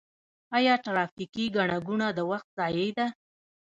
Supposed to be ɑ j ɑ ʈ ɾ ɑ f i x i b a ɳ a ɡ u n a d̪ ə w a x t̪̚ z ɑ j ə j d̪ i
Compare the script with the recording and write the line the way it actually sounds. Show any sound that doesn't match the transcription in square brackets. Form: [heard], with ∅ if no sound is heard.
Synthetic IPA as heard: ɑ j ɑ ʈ ɾ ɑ f i [k] i [ɡ] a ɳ a ɡ u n a d̪ ə w a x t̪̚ z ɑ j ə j d̪ [a]